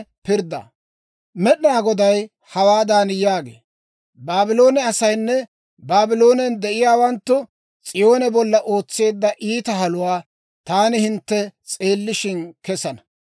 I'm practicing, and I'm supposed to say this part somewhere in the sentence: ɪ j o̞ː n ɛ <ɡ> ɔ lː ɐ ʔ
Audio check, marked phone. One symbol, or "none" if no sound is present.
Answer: b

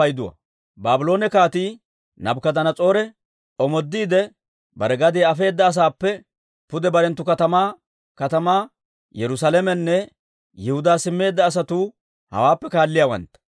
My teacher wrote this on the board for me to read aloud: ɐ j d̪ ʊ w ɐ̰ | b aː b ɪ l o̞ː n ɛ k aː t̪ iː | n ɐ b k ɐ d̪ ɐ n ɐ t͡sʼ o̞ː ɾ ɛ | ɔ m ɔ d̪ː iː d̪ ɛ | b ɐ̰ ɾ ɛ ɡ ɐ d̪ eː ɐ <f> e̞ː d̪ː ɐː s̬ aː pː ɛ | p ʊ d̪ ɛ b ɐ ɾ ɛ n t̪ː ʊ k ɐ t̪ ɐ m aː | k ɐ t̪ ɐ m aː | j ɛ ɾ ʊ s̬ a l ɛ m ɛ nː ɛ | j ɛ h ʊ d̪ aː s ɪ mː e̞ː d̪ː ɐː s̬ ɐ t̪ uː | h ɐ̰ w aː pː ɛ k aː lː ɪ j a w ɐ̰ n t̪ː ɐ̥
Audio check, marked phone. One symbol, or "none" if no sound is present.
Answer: f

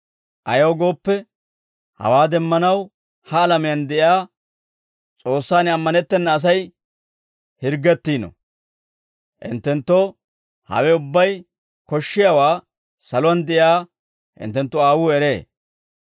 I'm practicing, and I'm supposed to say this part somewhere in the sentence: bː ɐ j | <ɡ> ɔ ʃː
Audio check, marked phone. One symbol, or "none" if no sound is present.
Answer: k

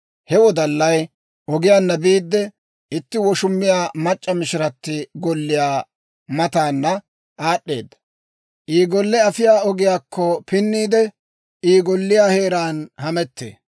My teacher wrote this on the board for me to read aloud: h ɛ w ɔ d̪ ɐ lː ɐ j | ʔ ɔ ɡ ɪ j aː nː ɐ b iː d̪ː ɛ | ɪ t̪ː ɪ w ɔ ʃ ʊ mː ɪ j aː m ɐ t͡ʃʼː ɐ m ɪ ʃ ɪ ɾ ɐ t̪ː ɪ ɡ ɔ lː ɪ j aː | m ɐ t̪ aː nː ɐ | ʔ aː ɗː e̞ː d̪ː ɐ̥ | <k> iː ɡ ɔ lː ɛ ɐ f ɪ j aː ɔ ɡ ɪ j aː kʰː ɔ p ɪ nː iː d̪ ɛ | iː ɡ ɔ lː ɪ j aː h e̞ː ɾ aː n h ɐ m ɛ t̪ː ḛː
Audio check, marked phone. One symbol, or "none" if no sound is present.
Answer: ʔ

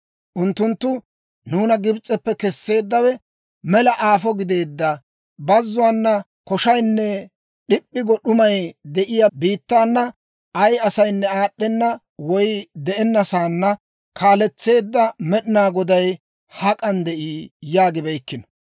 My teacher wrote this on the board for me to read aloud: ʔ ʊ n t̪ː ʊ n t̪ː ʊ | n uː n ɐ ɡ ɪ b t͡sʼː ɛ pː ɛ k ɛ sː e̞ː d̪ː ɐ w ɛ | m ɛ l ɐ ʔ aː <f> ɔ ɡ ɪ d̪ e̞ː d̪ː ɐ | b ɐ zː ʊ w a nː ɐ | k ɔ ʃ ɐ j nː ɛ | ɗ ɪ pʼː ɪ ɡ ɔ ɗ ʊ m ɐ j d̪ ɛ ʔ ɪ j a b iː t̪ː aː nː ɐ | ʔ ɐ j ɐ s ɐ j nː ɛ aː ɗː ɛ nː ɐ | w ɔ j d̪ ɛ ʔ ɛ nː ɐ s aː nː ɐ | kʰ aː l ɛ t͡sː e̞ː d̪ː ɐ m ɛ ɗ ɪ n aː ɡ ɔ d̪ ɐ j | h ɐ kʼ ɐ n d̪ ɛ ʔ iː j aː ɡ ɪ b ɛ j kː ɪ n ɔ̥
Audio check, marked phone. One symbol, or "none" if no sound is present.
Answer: f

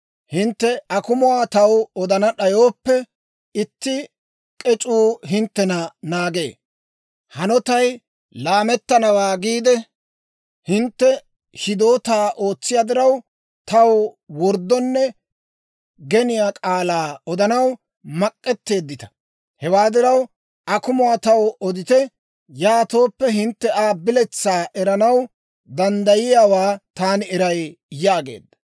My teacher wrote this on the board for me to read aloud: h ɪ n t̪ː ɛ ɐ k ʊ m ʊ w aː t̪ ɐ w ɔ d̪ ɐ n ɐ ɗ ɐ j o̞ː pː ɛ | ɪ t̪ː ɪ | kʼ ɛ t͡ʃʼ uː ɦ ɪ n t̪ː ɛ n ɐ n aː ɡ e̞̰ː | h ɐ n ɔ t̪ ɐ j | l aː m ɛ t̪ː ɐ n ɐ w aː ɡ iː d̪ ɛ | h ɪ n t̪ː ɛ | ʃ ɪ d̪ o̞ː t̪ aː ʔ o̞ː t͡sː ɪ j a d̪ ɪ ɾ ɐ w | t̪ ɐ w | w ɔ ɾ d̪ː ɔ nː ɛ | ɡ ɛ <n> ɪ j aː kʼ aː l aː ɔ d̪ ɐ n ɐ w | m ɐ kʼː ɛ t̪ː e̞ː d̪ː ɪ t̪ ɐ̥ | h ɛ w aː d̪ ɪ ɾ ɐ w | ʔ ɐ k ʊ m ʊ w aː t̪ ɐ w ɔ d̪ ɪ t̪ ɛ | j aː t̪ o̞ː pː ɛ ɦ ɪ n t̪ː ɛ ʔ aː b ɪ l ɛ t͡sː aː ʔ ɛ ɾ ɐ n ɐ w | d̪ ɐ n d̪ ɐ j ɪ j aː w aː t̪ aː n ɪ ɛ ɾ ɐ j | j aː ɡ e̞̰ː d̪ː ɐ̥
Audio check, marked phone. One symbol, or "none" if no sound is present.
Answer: n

